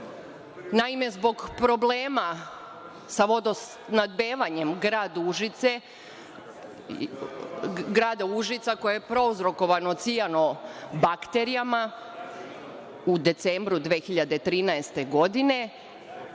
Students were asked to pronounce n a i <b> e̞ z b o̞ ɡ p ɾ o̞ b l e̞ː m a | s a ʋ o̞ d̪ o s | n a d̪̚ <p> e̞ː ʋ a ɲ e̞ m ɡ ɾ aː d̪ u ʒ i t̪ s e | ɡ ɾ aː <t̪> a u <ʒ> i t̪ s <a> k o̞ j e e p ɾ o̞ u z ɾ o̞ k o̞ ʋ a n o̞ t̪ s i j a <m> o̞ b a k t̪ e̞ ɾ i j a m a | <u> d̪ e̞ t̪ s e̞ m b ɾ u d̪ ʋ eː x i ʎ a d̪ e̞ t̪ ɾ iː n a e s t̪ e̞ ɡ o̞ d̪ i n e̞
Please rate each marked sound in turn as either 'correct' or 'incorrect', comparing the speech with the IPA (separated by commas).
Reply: incorrect, incorrect, incorrect, correct, correct, incorrect, correct